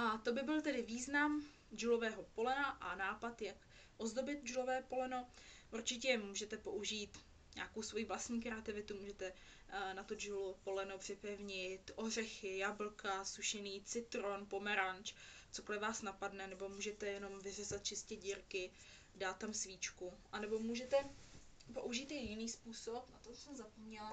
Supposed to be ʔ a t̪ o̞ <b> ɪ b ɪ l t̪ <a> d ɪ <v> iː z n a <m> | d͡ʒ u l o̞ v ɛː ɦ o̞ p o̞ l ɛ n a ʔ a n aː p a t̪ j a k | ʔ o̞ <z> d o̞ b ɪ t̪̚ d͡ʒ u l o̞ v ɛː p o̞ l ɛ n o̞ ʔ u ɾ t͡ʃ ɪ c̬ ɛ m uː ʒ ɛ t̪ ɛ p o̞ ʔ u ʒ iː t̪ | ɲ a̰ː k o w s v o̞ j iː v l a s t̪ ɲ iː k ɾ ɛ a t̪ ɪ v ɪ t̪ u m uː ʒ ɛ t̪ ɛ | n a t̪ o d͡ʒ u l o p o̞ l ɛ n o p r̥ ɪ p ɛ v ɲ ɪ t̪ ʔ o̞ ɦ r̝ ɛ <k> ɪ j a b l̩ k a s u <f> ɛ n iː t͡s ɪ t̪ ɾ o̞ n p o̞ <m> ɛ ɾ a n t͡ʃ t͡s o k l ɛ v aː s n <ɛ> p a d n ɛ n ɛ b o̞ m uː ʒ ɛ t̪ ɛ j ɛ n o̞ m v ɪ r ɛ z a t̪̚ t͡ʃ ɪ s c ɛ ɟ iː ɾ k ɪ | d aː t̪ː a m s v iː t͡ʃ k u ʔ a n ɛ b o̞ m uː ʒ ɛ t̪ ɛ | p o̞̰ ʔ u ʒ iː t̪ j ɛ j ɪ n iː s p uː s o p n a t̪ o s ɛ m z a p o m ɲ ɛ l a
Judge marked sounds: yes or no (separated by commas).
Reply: yes, no, yes, yes, yes, no, no, yes, no